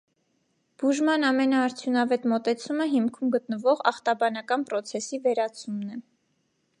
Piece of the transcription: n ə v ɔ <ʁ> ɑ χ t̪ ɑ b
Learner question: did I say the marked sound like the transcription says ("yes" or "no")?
yes